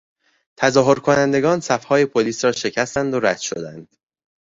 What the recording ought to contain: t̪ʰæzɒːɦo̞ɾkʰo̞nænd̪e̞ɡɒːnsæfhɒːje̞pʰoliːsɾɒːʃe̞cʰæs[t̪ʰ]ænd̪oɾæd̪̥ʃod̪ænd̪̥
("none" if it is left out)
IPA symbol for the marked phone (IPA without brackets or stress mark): t̪